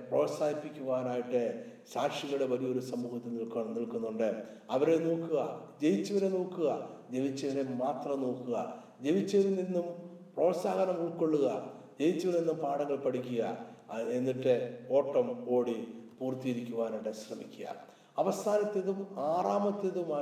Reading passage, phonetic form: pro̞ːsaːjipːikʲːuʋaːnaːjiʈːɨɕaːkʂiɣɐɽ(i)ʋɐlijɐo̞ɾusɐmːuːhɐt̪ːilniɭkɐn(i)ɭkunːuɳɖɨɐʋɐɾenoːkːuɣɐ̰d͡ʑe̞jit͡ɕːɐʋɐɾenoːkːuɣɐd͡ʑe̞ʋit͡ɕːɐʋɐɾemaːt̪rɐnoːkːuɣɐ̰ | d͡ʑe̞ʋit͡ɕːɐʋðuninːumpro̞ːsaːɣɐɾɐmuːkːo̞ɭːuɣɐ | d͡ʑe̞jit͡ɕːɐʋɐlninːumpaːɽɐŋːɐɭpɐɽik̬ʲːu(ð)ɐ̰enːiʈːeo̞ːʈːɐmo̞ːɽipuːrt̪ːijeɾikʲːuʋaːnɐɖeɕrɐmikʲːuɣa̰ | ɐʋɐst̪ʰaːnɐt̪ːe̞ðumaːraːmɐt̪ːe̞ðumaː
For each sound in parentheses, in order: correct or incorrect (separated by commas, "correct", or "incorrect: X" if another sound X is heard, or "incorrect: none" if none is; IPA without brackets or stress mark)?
incorrect: e, correct, incorrect: ɣ